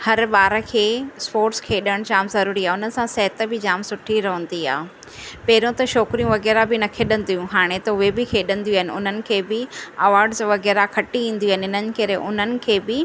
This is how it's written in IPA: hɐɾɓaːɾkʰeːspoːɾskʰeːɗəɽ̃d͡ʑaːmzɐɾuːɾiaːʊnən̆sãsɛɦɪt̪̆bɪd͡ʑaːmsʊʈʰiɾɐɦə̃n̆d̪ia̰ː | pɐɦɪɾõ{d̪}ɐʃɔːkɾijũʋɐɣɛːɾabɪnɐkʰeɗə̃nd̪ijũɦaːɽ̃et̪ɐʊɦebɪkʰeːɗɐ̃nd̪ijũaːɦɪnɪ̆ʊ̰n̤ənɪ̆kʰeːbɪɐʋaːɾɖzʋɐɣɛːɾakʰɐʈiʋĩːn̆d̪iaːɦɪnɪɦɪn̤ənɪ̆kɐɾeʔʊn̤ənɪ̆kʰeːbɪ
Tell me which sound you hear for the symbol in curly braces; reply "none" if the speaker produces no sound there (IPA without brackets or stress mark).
t̪